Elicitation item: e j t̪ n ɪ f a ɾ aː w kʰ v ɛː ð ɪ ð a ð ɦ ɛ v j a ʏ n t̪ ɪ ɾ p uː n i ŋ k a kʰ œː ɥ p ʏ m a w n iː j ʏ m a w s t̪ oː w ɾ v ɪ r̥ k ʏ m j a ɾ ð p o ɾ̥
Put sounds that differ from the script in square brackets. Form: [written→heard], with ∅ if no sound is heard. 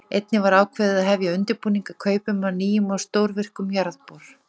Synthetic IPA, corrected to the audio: e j t̪ n ɪ [f→v] a ɾ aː w kʰ v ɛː ð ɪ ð a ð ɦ ɛ v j a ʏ n t̪ ɪ ɾ p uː n i ŋ k a kʰ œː ɥ p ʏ m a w n iː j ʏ m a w s t̪ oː w ɾ v ɪ r̥ k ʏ m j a ɾ ð p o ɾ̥